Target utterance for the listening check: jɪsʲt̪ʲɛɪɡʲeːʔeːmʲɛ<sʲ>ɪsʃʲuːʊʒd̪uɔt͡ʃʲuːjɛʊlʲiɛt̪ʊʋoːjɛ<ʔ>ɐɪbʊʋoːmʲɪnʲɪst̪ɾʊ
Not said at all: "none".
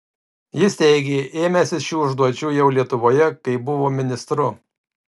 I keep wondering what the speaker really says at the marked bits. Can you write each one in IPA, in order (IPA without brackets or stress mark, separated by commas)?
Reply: sʲ, k